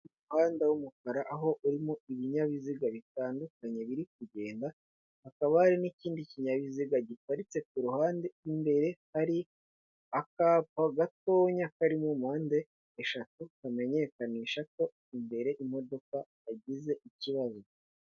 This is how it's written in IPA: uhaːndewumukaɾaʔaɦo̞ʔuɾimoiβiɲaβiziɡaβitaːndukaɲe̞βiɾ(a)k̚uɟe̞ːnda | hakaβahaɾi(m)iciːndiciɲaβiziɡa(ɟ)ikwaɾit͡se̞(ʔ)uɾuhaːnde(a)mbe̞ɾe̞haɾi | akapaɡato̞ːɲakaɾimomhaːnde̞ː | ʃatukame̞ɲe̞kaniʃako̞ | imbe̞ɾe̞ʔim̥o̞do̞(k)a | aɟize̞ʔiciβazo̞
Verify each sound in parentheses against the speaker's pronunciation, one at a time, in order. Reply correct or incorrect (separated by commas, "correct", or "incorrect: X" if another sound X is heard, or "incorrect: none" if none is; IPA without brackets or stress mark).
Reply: incorrect: i, incorrect: n, correct, incorrect: k, incorrect: i, correct